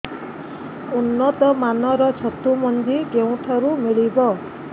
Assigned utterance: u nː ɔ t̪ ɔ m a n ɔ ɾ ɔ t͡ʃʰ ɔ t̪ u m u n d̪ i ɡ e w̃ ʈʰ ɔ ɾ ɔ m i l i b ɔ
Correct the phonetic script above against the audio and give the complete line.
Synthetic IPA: u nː ɔ t̪ ɔ m a n ɔ ɾ ɔ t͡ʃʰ ɔ t̪ u m ɔ n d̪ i ɡ e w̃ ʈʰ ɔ ɾ u m i ɭ i b ɔ